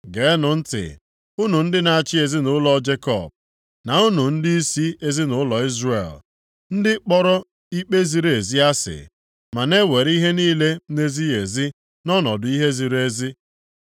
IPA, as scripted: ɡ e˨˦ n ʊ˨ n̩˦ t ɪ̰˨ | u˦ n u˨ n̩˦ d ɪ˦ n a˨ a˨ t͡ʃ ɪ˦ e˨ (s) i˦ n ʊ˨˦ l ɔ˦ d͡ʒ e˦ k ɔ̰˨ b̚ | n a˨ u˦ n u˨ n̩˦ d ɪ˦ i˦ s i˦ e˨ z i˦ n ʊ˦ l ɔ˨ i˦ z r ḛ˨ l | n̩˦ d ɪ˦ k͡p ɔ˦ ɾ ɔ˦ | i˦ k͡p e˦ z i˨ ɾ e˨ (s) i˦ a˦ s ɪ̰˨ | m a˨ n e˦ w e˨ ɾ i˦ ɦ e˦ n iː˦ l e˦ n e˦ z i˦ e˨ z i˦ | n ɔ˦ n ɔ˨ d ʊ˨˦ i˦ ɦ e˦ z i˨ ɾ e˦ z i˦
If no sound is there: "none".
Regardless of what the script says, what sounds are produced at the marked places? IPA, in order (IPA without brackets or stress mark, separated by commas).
z, z